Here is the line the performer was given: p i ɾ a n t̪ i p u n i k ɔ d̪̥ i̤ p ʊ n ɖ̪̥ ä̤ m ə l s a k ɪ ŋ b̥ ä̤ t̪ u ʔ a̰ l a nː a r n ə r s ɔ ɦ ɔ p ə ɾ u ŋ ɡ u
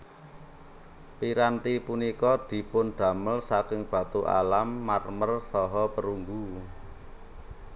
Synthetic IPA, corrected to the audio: p i ɾ a n t̪ i p u n i k ɔ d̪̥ i̤ p ʊ n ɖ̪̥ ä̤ m ə l s a k ɪ ŋ b̥ ä̤ t̪ u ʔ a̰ l a mː a r m ə r s ɔ ɦ ɔ p ə ɾ u ŋ ɡ u